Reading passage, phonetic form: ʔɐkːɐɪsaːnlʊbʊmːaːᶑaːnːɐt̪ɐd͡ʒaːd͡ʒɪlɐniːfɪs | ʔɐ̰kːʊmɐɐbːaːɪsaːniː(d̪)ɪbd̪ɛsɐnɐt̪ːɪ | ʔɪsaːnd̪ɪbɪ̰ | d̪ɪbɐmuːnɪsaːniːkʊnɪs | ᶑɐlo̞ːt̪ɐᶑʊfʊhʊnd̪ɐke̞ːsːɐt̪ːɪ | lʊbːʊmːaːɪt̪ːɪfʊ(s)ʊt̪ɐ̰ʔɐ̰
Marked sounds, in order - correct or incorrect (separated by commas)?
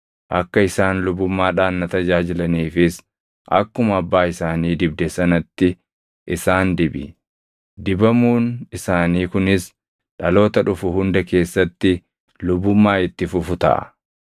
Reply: correct, incorrect